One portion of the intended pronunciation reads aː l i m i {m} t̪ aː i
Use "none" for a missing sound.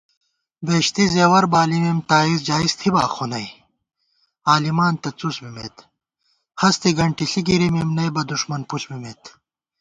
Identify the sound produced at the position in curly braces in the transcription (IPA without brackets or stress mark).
m